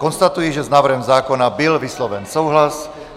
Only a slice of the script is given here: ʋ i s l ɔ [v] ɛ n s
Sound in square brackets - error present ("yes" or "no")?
yes